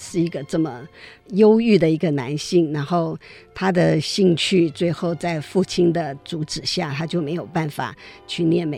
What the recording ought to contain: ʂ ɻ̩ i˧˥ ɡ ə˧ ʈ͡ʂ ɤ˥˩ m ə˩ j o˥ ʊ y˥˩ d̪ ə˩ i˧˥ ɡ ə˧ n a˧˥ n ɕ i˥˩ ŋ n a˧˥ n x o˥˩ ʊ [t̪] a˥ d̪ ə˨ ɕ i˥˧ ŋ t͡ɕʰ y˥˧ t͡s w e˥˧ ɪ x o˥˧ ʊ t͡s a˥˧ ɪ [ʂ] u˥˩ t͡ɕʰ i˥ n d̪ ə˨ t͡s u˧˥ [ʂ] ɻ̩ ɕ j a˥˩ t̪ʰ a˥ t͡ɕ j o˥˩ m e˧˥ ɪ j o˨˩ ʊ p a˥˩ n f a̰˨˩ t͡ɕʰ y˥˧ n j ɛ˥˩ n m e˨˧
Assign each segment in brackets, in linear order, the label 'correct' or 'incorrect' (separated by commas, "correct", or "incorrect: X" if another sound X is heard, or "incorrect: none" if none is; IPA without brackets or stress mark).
incorrect: t̪ʰ, incorrect: f, incorrect: ʈ͡ʂ